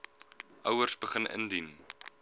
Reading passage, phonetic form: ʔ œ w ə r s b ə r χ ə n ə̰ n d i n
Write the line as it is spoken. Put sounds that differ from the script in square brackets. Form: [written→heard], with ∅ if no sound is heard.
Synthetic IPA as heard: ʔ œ w ə r s b ə [r→∅] χ ə n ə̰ n d i n